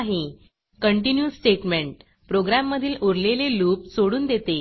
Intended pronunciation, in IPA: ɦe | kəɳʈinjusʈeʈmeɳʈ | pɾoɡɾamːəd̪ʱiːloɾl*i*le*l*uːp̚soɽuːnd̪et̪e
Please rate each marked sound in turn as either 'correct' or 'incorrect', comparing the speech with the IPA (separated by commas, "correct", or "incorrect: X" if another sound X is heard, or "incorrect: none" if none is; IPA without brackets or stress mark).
incorrect: e, correct